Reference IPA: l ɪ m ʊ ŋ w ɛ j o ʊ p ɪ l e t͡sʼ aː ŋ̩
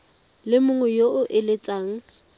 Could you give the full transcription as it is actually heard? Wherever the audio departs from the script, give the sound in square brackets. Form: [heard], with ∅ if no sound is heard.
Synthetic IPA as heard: l ɪ m ʊ ŋ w ɛ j o ʊ [ʔ] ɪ l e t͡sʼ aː ŋ̩